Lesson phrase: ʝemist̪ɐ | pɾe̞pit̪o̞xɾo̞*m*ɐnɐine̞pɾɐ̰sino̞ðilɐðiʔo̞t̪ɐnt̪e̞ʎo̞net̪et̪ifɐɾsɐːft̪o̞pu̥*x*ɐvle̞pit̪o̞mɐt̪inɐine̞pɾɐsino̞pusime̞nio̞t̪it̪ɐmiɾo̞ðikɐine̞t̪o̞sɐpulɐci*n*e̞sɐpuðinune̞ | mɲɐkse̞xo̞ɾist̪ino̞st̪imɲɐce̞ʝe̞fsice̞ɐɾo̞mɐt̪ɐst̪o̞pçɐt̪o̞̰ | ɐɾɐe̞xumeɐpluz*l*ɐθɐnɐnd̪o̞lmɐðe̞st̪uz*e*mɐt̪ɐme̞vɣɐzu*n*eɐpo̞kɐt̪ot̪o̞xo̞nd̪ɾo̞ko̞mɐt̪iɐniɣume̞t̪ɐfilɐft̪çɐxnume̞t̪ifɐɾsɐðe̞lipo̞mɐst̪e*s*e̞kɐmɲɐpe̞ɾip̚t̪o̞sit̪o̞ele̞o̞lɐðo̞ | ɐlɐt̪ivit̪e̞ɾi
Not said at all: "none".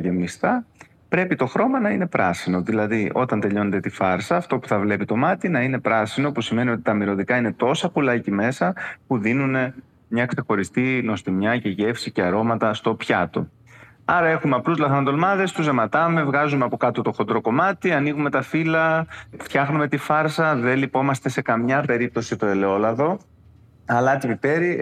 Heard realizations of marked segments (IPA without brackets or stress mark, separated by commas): m, θ, m, l, e, m, s